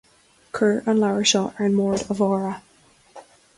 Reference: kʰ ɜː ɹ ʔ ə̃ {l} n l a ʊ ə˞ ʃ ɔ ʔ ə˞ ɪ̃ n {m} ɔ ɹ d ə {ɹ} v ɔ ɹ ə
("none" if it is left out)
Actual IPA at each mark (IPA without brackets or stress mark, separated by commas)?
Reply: none, m, none